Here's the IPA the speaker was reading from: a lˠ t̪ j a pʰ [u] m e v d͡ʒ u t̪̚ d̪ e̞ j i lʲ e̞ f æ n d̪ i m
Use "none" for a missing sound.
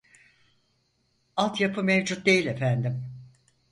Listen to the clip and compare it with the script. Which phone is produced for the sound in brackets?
ɯ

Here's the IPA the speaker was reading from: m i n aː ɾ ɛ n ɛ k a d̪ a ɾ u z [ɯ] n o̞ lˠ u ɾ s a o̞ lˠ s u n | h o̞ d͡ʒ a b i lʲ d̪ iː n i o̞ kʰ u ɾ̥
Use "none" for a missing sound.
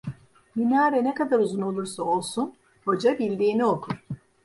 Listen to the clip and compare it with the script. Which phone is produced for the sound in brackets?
u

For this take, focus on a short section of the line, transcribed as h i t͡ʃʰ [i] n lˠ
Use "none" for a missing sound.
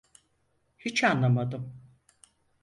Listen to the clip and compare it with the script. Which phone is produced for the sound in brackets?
a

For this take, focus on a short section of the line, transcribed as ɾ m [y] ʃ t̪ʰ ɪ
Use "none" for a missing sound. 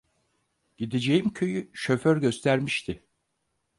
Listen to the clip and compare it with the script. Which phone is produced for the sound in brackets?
i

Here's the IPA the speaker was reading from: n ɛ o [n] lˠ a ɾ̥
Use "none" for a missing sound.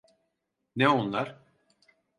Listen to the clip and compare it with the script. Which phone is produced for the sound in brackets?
n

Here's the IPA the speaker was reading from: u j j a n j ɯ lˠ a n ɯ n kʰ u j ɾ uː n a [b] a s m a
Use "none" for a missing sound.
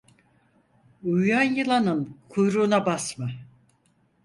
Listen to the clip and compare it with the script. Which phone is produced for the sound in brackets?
b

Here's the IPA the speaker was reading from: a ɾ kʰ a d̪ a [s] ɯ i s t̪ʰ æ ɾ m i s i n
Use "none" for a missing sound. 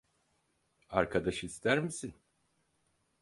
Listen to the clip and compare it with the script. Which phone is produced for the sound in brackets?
ʃ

